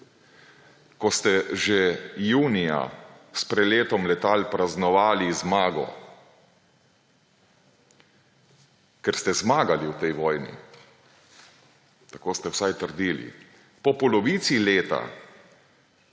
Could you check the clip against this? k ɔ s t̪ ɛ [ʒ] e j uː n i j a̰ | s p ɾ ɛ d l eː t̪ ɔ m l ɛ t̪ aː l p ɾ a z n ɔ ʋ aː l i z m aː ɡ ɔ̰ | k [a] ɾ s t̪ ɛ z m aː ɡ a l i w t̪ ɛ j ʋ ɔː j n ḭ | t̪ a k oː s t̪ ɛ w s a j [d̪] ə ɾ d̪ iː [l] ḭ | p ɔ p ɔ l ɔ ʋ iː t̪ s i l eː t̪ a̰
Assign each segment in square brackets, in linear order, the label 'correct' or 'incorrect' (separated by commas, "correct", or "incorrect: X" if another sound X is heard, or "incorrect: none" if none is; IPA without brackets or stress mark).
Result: correct, incorrect: ɛ, incorrect: t̪, correct